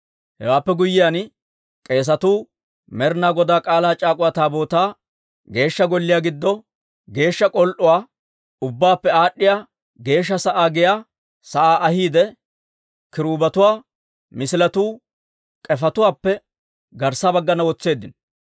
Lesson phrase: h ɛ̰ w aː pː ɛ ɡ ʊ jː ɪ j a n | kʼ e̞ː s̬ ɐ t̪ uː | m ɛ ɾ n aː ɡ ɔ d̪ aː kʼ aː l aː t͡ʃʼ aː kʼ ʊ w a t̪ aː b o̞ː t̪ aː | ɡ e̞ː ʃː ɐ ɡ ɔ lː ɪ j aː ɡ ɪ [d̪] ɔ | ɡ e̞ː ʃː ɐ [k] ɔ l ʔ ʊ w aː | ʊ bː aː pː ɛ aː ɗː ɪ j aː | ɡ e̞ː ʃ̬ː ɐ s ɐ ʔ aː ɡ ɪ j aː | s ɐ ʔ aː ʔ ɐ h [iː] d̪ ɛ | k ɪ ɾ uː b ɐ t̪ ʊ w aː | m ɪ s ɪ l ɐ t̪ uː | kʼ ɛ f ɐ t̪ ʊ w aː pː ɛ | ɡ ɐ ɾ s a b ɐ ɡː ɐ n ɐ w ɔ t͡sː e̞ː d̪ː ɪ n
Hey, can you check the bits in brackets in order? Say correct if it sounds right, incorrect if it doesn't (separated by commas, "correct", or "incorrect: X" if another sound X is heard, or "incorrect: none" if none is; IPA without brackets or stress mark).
incorrect: d̪ː, incorrect: kʼ, correct